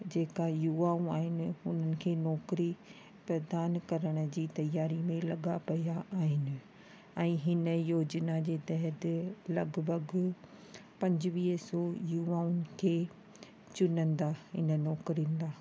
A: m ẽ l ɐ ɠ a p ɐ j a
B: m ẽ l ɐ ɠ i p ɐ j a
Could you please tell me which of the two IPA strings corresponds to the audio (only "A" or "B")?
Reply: A